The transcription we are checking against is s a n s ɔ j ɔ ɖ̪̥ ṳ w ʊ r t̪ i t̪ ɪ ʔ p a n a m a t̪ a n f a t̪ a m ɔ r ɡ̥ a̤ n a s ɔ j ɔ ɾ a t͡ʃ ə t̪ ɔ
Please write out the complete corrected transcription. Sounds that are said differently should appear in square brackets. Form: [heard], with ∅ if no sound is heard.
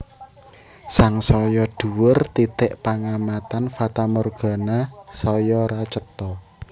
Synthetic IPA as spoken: s a [ŋ] s ɔ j ɔ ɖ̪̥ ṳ w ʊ r t̪ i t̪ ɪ ʔ p a [ŋ] a m a t̪ a n f a t̪ a m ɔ r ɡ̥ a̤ n a s ɔ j ɔ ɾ a t͡ʃ ə t̪ ɔ